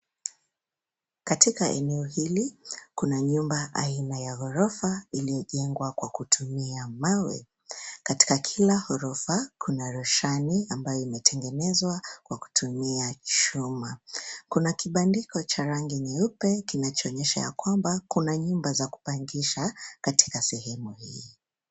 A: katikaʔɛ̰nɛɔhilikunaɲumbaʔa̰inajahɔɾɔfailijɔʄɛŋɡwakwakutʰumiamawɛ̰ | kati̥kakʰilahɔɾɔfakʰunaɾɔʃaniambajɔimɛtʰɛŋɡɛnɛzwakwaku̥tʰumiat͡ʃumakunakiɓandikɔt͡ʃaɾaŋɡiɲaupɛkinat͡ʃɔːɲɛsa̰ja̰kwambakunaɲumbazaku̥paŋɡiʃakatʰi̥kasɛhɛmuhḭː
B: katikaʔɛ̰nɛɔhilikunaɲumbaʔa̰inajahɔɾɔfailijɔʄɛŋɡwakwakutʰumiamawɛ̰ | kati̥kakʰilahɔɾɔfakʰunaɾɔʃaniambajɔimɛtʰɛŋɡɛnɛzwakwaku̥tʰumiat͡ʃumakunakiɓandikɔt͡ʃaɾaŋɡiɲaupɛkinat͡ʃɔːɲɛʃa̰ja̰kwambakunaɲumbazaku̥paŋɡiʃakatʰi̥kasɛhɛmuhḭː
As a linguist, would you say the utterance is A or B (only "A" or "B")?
B